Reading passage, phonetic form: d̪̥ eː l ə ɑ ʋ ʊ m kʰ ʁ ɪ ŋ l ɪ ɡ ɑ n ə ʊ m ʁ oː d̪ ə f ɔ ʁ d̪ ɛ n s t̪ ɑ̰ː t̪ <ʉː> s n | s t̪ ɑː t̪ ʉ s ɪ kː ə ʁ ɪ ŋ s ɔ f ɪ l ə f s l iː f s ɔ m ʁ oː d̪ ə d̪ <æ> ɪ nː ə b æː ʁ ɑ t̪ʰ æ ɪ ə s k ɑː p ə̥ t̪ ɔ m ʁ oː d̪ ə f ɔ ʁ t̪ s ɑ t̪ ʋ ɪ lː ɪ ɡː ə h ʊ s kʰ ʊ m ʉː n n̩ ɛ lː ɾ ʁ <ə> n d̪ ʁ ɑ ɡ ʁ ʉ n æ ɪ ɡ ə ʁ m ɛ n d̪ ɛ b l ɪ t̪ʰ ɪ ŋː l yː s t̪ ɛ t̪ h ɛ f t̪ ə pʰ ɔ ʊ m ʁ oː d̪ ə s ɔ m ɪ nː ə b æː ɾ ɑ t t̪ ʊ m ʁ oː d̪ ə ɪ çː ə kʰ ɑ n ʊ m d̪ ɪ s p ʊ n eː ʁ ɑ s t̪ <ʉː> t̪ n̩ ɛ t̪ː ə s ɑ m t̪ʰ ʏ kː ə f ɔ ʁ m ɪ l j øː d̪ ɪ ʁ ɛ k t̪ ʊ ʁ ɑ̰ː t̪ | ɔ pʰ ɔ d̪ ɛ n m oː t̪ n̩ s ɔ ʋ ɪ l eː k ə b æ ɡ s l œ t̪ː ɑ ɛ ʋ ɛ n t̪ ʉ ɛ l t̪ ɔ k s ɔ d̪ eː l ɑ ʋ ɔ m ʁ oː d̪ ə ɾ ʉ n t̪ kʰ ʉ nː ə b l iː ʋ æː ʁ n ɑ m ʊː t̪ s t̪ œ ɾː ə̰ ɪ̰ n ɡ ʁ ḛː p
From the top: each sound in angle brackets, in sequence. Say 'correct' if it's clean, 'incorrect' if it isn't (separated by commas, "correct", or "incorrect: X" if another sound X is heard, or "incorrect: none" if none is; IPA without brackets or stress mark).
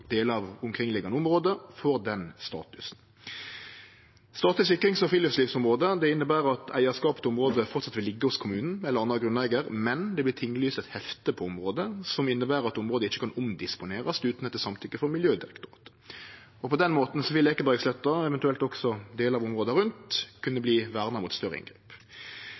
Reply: incorrect: ʉ, incorrect: ɛ, incorrect: ɑ, correct